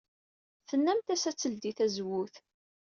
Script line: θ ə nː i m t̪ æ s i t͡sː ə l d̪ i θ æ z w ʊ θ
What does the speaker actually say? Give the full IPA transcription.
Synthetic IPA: θ ə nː æ m t̪ æ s æ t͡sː ə l d̪ i θ æ z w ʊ θ